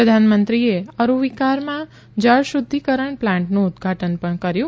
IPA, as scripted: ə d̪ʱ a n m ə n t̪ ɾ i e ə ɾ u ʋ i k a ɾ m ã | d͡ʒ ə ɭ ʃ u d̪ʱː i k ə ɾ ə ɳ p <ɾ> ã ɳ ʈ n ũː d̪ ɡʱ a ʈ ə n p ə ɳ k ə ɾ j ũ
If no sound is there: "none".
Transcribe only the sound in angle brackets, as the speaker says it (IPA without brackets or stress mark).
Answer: l